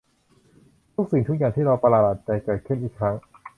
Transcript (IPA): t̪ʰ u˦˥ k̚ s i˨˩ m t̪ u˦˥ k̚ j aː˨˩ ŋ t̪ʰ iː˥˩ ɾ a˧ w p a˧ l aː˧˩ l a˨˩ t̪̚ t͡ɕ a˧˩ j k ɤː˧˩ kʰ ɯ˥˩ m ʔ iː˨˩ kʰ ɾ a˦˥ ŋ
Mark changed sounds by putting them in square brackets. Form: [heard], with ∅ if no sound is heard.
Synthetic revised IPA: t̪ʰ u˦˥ k̚ s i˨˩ [ŋ] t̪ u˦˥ k̚ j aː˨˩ ŋ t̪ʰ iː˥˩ ɾ a˧ w p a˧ l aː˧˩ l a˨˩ t̪̚ t͡ɕ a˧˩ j k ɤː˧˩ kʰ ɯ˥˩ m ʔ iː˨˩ kʰ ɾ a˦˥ ŋ